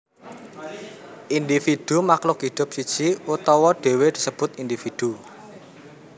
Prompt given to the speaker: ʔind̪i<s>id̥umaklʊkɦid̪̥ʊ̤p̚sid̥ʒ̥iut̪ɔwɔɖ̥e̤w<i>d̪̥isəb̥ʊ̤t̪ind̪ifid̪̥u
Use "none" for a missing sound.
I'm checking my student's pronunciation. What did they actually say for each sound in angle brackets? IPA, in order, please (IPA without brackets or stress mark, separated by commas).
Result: f, e